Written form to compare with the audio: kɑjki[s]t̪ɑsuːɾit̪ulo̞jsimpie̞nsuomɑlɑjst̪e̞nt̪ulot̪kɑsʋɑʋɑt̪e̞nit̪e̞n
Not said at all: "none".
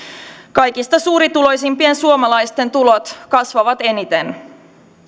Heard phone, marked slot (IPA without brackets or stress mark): s